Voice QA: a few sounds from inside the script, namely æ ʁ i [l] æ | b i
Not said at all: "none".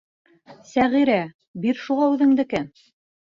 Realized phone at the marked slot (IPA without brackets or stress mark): ɾ